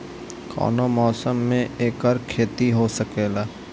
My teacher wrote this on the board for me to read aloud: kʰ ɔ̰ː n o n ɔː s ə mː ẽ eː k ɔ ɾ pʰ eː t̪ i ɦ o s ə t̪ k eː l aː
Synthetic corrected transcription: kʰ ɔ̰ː n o m ɔː s ə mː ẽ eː k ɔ ɾ kʰ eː t̪ i ɦ o s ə k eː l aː